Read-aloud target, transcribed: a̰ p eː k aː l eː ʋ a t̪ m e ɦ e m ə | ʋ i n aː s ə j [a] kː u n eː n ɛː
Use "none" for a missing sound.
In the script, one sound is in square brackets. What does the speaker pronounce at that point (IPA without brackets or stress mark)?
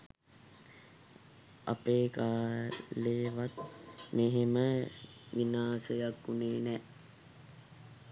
a